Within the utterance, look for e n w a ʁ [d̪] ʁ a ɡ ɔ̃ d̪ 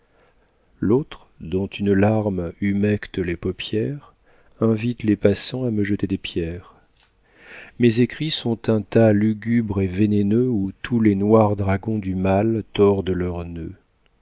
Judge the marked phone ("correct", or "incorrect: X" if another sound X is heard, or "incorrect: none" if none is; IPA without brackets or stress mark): correct